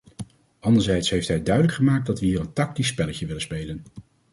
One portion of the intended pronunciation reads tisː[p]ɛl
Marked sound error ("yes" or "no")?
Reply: no